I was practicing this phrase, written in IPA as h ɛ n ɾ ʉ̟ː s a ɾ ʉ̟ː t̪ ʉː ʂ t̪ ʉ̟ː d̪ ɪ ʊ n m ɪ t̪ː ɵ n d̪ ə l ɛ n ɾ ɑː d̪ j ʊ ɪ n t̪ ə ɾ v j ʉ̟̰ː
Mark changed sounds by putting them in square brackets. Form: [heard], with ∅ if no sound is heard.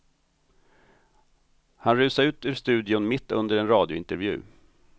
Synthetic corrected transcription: h [a] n ɾ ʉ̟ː s a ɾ ʉ̟ː t̪ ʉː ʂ t̪ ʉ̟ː d̪ ɪ ʊ n m ɪ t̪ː ɵ n d̪ ə [ɾ] ɛ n ɾ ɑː d̪ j ʊ ɪ n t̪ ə ɾ v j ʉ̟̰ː